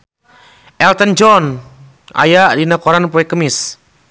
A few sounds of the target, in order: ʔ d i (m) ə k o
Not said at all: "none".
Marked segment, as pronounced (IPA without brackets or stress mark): n